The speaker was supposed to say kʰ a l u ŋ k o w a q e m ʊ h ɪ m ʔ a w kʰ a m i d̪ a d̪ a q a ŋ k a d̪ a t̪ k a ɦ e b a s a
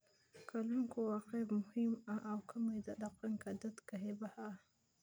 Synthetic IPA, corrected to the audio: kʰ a l u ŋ k o w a q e m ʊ h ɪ m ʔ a w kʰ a m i d̪ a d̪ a q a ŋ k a d̪ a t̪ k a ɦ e b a h a